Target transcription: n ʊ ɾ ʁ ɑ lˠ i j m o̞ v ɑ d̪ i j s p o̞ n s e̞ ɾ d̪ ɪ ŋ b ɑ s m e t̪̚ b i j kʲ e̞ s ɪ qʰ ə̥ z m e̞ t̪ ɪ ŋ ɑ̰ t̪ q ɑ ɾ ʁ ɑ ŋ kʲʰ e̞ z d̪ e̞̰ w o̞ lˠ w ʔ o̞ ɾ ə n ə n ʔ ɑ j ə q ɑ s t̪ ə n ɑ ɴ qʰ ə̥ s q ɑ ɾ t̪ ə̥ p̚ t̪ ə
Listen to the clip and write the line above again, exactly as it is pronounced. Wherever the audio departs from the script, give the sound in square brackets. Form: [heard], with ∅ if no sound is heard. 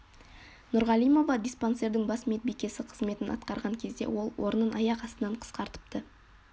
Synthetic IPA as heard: n ʊ ɾ ʁ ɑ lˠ i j m o̞ v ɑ d̪ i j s p o̞ n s e̞ ɾ d̪ ɪ ŋ b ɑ s m e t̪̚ b i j kʲ e̞ s ɪ qʰ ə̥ z m e̞ t̪ ɪ [n] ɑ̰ t̪ q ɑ ɾ ʁ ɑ ŋ kʲʰ e̞ z d̪ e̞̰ w o̞ lˠ w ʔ o̞ ɾ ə n ə n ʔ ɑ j [ɑ] q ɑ s t̪ ə n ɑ ɴ qʰ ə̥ s q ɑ ɾ t̪ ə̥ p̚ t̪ ə